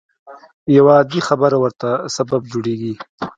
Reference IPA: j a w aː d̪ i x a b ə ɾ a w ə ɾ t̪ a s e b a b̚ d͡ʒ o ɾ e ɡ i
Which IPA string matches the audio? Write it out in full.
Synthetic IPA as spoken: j a w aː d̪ i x a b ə ɾ a w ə ɾ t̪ a s a b a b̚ d͡ʒ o ɽ e ɡ i